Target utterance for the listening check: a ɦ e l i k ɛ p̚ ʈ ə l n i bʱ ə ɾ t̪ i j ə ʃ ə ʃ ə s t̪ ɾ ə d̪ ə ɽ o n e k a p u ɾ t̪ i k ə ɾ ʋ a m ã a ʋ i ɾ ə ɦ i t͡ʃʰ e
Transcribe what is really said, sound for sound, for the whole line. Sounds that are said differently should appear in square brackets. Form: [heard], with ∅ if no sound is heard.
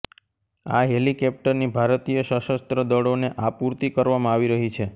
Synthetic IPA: a ɦ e l i k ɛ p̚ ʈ ə [ɾ] n i bʱ [a] ɾ t̪ i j ə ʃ ə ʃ ə s t̪ ɾ ə d̪ ə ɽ o n e [ʔ] a p u ɾ t̪ i k ə ɾ ʋ a m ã a ʋ i ɾ ə ɦ i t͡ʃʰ e